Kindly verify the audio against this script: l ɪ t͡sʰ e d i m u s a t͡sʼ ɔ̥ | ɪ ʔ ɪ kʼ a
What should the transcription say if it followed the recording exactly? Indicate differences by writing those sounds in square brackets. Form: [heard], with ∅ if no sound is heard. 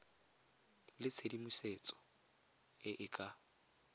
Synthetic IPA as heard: l ɪ t͡sʰ e d i m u s [e] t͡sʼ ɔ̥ | ɪ ʔ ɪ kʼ a